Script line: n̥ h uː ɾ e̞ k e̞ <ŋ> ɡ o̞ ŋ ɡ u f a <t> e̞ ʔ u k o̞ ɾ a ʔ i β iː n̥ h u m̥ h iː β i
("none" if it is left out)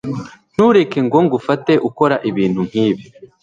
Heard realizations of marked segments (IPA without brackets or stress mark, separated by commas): ŋ, t